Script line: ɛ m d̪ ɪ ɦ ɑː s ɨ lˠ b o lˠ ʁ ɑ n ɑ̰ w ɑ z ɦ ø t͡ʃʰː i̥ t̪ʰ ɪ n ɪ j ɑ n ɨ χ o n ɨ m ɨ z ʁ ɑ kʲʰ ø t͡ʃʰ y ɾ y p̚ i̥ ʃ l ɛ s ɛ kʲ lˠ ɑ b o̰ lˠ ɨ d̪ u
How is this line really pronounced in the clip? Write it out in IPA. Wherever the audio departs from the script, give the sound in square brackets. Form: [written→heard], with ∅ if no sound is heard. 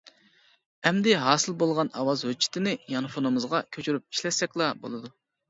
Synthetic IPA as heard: ɛ m d̪ ɪ ɦ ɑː s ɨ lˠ b o lˠ ʁ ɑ n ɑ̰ w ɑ z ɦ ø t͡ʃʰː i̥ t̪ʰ ɪ n ɪ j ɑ n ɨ [χ→f] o n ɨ m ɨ z ʁ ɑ kʲʰ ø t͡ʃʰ y ɾ y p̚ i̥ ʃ l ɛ s ɛ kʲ lˠ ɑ b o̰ lˠ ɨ d̪ u